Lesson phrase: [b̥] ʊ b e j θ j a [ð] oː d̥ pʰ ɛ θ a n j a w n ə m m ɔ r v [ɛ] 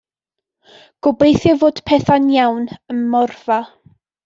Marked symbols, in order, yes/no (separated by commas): no, no, no